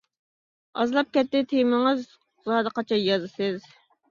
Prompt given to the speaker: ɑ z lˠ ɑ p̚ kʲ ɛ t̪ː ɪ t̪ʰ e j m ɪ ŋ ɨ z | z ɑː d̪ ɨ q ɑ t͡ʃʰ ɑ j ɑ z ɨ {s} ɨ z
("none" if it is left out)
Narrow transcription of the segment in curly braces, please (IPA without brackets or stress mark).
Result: s